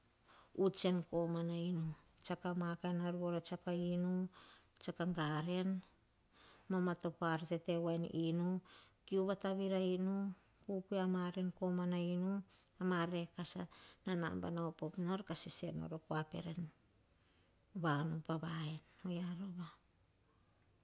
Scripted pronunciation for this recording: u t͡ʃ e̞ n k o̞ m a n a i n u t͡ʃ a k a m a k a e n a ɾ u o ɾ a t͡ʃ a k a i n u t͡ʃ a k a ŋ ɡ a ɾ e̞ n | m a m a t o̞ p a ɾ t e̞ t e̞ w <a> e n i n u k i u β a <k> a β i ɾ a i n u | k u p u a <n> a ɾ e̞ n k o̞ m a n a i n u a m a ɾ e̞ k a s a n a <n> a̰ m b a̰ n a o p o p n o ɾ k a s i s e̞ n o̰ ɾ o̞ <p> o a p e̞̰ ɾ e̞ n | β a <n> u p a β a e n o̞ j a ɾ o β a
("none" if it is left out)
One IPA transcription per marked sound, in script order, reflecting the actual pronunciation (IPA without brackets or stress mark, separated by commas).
a, t, m, n, k, n